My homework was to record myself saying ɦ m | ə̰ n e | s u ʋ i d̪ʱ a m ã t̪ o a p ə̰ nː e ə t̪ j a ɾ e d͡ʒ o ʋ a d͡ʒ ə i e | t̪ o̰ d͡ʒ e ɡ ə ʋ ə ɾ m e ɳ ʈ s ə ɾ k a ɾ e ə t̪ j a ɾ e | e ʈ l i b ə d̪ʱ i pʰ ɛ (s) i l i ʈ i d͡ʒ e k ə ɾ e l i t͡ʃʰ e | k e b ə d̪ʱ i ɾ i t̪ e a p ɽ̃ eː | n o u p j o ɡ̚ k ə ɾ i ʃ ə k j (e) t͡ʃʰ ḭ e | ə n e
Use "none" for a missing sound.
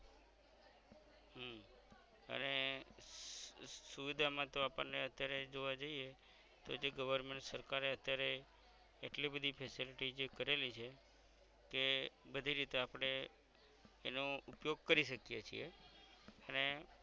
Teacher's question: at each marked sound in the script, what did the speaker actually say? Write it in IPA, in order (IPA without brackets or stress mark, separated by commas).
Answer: s, e